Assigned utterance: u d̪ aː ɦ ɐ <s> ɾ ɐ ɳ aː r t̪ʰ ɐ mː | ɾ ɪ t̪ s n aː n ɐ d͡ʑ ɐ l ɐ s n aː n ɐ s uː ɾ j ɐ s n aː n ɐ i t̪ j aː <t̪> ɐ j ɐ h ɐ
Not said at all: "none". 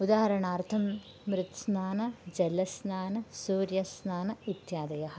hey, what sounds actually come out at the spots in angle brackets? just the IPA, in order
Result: none, d̪

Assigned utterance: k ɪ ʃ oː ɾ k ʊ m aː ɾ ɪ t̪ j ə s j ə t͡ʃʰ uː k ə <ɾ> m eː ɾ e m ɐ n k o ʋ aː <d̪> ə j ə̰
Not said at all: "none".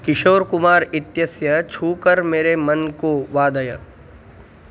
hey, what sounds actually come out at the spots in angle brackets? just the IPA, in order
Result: ɾ, d̪

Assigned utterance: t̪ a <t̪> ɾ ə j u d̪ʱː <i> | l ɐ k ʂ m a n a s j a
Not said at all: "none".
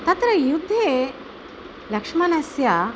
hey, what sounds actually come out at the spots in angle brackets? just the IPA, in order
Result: t̪, e

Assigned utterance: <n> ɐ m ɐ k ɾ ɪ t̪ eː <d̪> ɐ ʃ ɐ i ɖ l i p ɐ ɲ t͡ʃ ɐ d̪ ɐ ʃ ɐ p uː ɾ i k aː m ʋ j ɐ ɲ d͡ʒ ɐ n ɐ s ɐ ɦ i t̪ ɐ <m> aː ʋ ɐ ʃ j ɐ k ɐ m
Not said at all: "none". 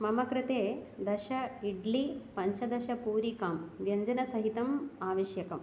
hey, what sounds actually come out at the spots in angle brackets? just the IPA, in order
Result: m, d̪, m

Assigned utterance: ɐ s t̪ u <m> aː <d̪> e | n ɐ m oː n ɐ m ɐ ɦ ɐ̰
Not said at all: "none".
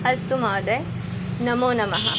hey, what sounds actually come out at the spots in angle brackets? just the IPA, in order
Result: m, d̪

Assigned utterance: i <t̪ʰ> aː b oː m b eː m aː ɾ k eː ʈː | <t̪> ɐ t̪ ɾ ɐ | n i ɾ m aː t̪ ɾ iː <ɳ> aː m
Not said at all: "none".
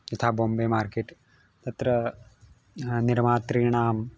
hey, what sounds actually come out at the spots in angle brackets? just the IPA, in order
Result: t̪ʰ, t̪, ɳ

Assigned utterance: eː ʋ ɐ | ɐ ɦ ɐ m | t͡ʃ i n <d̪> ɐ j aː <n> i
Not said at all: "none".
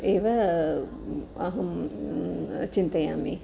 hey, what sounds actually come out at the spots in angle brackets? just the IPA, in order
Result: t̪, m

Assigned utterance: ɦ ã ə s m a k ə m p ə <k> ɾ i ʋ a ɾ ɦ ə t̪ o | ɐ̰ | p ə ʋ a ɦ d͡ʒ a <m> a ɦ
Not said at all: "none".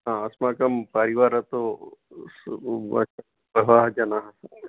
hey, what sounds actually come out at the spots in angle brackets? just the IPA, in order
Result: none, n

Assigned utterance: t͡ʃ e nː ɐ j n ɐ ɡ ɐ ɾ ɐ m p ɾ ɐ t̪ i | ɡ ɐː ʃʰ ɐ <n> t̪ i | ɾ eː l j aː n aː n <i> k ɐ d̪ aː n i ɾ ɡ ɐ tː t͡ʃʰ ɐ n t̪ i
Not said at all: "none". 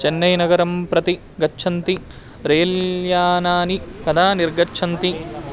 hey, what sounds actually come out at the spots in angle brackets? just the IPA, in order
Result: n, i

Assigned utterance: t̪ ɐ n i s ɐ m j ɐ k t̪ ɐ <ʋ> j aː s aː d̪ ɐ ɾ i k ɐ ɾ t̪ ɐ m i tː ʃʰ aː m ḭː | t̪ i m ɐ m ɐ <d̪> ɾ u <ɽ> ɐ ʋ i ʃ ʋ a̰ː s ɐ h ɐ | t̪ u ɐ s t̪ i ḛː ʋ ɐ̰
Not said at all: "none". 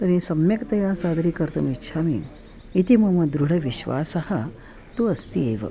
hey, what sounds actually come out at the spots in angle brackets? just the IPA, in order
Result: none, d̪, ɽ

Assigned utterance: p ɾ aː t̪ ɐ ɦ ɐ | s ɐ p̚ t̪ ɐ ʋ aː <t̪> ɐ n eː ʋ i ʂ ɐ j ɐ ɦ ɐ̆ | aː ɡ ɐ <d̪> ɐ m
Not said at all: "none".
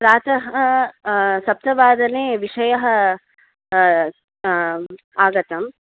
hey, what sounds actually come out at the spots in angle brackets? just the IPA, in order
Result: d̪, t̪

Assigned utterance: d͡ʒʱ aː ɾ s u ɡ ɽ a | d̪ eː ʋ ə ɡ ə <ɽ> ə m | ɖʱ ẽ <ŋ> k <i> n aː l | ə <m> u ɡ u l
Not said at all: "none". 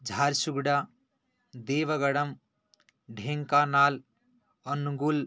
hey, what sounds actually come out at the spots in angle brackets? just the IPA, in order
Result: ɽ, ŋ, a, n

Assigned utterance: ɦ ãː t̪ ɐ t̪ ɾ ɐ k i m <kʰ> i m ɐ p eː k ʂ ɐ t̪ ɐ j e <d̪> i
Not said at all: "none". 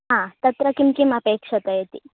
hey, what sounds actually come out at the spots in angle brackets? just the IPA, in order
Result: k, t̪

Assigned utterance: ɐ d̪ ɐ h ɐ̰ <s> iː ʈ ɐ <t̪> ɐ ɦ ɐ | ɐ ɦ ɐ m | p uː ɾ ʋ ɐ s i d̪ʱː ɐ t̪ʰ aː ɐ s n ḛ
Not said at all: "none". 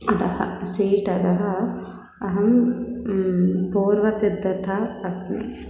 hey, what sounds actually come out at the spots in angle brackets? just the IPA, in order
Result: s, d̪

